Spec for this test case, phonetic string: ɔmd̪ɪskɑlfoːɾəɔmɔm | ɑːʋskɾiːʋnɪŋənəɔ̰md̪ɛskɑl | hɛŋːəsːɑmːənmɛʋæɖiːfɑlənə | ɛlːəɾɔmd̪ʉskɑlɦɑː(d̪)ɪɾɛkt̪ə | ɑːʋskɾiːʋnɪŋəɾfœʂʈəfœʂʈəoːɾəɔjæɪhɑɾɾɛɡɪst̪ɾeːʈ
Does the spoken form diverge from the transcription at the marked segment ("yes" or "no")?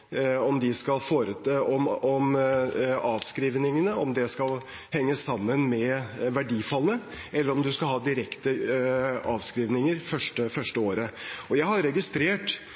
no